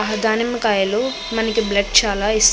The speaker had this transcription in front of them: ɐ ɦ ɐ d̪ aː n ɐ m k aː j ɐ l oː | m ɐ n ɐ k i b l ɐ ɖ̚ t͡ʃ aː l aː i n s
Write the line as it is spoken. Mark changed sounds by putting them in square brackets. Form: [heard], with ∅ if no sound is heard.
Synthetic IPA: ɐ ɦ ɐ d̪ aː n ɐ m k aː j ɐ l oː | m ɐ n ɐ k i b l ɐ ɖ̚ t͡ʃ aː l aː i [∅] s

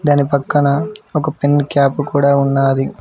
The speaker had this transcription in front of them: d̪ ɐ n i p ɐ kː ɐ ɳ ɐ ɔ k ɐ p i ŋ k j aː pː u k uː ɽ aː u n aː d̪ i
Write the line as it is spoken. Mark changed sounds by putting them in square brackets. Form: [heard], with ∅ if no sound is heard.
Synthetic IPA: d̪ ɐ n i p ɐ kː ɐ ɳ ɐ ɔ k ɐ p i [n] k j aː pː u k uː ɽ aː u [nː] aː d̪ i

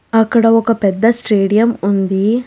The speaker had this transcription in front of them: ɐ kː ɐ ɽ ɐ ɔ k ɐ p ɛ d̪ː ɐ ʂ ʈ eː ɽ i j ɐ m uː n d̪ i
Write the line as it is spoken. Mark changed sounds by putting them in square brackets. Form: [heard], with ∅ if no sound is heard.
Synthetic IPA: ɐ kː ɐ ɽ ɐ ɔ k ɐ p ɛ d̪ː ɐ [s] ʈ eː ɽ i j ɐ m [u] n d̪ i

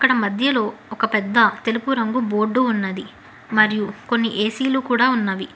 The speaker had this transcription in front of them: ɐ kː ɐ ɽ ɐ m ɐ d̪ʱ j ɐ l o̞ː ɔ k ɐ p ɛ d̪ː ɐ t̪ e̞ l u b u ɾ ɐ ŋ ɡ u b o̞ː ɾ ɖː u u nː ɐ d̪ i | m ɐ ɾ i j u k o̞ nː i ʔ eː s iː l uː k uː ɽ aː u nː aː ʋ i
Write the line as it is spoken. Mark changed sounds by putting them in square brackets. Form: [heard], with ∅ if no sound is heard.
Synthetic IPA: ɐ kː ɐ ɽ ɐ m ɐ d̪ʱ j ɐ l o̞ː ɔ k ɐ p ɛ d̪ː ɐ t̪ e̞ l u [p] u ɾ ɐ ŋ ɡ u b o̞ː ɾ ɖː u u nː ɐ d̪ i | m ɐ ɾ i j u k o̞ nː i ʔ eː s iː l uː k uː ɽ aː u nː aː ʋ i

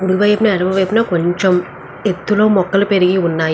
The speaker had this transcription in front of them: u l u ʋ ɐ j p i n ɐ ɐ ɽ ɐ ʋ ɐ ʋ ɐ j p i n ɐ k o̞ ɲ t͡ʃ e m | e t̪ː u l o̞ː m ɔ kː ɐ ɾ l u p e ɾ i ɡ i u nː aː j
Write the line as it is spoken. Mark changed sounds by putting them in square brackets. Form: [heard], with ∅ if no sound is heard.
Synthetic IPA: u [ɽ] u ʋ ɐ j p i n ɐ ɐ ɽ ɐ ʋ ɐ ʋ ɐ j p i n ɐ k o̞ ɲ t͡ʃ e m | e t̪ː u l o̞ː m ɔ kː ɐ [∅] l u p e ɾ i ɡ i u nː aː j

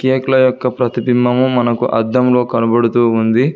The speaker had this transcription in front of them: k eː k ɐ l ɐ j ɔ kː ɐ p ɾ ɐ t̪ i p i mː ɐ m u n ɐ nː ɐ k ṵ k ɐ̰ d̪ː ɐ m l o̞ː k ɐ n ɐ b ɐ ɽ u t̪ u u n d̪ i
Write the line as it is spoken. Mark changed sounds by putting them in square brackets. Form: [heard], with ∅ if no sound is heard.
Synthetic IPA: k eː k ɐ l ɐ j ɔ kː ɐ p ɾ ɐ t̪ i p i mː ɐ m u [m] ɐ [n] ɐ k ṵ [ʔ] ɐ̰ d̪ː ɐ m l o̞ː k ɐ n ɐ b ɐ ɽ u t̪ [uː] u n d̪ i

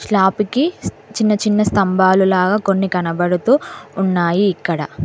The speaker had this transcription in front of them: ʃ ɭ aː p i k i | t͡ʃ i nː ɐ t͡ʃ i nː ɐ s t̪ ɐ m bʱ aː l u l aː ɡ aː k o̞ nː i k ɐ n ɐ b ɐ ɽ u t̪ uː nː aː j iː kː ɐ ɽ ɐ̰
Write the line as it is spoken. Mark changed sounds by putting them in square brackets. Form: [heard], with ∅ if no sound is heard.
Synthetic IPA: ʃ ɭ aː p i k i | t͡ʃ i nː ɐ t͡ʃ i nː ɐ s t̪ ɐ m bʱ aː l u l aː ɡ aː k o̞ nː i k ɐ n ɐ b ɐ ɽ u t̪ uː nː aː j iː kː ɐ ɽ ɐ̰

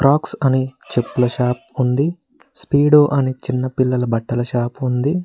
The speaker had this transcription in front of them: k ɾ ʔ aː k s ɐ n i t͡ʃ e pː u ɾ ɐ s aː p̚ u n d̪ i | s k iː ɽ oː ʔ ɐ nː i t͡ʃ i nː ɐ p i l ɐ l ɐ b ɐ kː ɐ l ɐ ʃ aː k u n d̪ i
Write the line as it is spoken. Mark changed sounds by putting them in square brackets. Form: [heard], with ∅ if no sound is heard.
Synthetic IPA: k ɾ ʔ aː k s ɐ n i t͡ʃ e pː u [l] ɐ [ʃ] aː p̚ u n d̪ i | s [p] iː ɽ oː ʔ ɐ [n] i t͡ʃ i nː ɐ p i [lː] ɐ l ɐ b ɐ [ʈː] ɐ l ɐ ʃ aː [p] u n d̪ i

